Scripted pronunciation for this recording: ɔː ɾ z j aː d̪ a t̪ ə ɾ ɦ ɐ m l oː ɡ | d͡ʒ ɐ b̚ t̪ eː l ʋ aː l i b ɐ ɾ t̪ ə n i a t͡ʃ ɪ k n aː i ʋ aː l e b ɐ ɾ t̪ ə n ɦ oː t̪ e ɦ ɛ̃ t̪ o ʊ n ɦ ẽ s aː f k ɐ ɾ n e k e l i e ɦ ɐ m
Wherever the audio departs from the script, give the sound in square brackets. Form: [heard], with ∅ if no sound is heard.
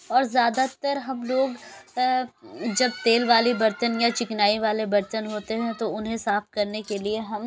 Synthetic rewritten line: ɔː ɾ z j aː d̪ a t̪ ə ɾ ɦ ɐ m l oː ɡ | d͡ʒ ɐ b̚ t̪ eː l ʋ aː l i b ɐ ɾ t̪ ə n [j] a t͡ʃ ɪ k n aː i ʋ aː l e b ɐ ɾ t̪ ə n ɦ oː t̪ e ɦ ɛ̃ t̪ o ʊ n ɦ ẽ s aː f k ɐ ɾ n e k e l i e ɦ ɐ m